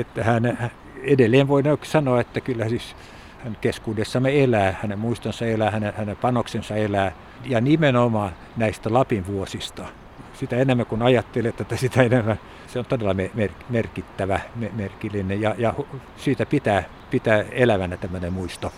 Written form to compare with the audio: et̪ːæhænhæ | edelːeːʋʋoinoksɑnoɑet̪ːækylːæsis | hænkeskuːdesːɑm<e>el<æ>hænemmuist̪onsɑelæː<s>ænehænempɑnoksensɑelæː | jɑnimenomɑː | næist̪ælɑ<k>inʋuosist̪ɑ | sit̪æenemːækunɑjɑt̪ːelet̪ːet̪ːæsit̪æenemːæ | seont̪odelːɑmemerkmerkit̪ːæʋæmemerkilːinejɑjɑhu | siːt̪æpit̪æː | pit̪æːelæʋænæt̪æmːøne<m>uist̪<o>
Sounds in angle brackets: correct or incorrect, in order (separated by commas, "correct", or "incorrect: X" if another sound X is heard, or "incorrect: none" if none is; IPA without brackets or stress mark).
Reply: correct, incorrect: æː, incorrect: h, incorrect: p, correct, correct